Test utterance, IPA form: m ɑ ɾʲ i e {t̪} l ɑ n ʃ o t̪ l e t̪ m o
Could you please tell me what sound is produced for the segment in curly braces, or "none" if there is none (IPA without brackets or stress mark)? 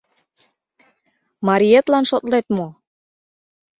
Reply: t̪